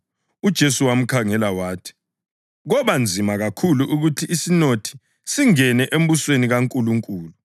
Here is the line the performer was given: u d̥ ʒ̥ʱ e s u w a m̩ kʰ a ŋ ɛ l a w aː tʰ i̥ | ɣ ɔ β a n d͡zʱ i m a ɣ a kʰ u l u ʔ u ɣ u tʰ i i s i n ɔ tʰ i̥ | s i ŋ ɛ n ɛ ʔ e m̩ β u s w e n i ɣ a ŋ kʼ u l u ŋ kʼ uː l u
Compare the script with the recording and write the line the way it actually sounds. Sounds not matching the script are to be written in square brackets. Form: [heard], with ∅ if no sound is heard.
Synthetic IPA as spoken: u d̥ ʒ̥ʱ e s u w a m̩ kʰ a ŋ ɛ l a w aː tʰ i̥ | ɣ ɔ β a n d͡zʱ i m a ɣ a kʰ u l u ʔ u ɣ u tʰ i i s i n [o] tʰ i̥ | s i ŋ ɛ n ɛ ʔ e m̩ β u s w e n i ɣ a ŋ kʼ u l u ŋ kʼ uː l u

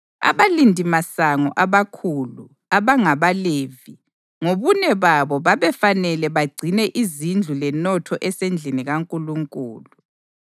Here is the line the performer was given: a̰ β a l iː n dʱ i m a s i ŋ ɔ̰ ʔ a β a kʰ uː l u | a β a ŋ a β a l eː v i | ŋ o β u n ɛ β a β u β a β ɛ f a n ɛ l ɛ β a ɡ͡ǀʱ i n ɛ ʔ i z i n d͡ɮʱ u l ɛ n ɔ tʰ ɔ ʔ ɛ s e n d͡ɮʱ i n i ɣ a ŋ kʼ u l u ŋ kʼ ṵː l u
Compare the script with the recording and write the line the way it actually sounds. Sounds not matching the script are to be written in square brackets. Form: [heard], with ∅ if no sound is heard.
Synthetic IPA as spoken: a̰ β a l [i] n dʱ i m a s [a] ŋ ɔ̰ ʔ a β a kʰ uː l u | a β a ŋ a β a l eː v i | ŋ o β u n ɛ β a β [ɔ] β a β ɛ f a n ɛ l ɛ β a ɡ͡ǀʱ i n ɛ ʔ i z i n d͡ɮʱ u l ɛ n ɔ tʰ ɔ ʔ ɛ s e n d͡ɮʱ i n i ɣ a ŋ kʼ u l u ŋ kʼ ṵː l u

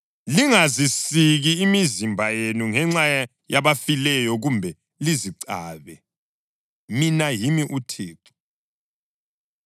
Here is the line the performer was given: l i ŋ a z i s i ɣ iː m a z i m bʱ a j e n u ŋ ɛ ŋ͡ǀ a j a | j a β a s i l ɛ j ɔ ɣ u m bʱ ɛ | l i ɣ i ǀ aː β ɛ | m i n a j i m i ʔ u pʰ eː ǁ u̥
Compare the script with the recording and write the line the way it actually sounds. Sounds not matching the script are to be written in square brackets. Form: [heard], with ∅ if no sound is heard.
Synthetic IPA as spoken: l i ŋ a z i s i ɣ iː m [i] z i m bʱ a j e n u ŋ ɛ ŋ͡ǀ a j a | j a β a [f] i l ɛ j ɔ ɣ u m bʱ ɛ | l i [z] i ǀ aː β ɛ | m i n a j i m i ʔ u [tʰ] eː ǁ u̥

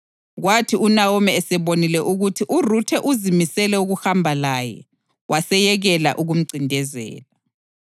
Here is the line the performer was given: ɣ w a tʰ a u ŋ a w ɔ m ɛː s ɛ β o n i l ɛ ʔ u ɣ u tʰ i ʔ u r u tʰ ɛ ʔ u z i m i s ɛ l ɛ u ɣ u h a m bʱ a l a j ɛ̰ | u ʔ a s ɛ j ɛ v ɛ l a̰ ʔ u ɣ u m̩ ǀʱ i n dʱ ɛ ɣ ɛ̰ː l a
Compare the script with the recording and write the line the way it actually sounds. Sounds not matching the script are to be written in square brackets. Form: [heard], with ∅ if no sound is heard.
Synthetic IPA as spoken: ɣ w a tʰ [i] u [n] a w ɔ m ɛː s ɛ β o n i l ɛ ʔ u ɣ u tʰ i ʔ u r u tʰ ɛ ʔ u z i m i s ɛ l ɛ u ɣ u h a m bʱ a l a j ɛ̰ | [w] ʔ a s ɛ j ɛ [ɣ] ɛ l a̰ ʔ u ɣ u m̩ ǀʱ i n dʱ ɛ [z] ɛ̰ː l a

